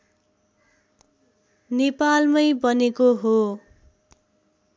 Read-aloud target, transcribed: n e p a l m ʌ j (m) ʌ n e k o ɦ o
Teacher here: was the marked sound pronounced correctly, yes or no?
no